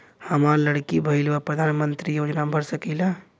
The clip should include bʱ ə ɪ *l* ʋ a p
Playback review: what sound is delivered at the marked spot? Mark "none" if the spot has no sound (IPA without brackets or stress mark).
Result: l